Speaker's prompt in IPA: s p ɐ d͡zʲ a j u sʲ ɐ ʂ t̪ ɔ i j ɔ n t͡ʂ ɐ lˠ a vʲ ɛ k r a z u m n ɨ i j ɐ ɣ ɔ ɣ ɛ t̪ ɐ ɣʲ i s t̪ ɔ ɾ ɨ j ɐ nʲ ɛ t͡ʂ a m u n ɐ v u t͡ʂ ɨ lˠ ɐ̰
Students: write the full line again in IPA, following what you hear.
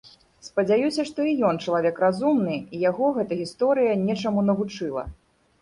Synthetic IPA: s p ɐ d͡zʲ a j u sʲ ɐ ʂ t̪ ɔ i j ɔ n t͡ʂ ɐ lˠ a vʲ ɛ k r a z u m n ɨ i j a ɣ ɔ ɣ ɛ t̪ ɐ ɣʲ i s t̪ ɔ ɾ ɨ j ɐ nʲ ɛ t͡ʂ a m u n ɐ v u t͡ʂ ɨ lˠ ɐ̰